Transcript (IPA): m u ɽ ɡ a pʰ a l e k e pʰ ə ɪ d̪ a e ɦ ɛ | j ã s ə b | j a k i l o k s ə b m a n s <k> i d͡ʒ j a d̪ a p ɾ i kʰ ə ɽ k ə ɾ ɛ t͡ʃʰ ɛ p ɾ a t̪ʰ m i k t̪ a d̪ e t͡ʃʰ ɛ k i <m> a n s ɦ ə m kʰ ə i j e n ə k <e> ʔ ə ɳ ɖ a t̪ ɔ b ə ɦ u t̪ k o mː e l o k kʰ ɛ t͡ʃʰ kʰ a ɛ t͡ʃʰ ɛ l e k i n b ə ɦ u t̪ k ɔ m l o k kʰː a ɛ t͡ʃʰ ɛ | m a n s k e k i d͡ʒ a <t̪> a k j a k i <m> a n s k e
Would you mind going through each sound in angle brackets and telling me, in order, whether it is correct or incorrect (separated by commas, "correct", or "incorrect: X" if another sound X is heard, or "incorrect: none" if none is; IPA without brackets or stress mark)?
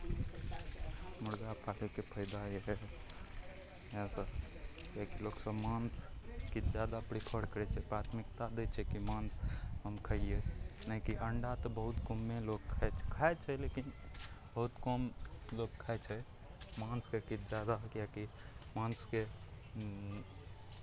correct, correct, incorrect: i, incorrect: d̪, correct